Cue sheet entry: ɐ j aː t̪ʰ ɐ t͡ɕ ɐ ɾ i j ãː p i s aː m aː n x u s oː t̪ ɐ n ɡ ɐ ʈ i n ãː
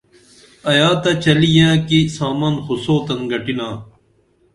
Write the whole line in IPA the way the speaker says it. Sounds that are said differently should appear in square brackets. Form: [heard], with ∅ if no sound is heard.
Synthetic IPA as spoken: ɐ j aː [t̪] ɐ t͡ɕ ɐ [l] i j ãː [k] i s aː m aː n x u s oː t̪ ɐ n ɡ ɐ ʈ i n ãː